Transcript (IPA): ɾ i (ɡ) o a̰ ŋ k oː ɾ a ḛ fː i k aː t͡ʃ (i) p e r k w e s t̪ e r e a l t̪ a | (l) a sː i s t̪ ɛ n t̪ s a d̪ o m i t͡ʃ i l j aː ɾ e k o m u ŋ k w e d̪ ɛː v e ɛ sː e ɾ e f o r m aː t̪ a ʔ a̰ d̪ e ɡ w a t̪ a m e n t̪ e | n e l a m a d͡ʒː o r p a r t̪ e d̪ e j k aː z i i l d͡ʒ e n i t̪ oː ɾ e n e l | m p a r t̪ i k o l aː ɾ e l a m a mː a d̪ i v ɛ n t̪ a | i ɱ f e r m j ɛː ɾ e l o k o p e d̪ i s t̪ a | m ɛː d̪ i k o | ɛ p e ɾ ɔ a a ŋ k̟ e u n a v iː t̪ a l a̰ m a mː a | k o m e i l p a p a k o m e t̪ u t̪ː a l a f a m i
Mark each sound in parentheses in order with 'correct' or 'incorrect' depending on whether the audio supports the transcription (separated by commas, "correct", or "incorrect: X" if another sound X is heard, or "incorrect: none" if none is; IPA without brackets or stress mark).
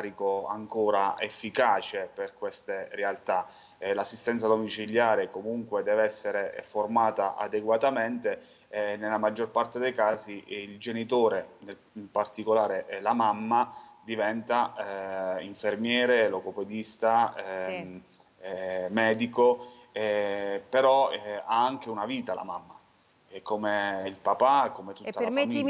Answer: incorrect: k, incorrect: e, correct